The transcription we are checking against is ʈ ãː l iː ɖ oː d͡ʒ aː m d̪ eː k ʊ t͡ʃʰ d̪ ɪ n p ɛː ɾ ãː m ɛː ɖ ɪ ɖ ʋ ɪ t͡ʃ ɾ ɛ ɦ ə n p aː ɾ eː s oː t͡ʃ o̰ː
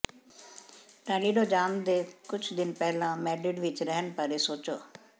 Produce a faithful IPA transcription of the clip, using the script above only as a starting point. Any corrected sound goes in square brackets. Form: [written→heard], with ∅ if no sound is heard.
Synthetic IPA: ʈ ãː l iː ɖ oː d͡ʒ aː m d̪ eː k ʊ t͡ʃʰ d̪ ɪ n p ɛː [ɾ→l] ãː m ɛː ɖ ɪ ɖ ʋ ɪ t͡ʃ ɾ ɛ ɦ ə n p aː ɾ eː s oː t͡ʃ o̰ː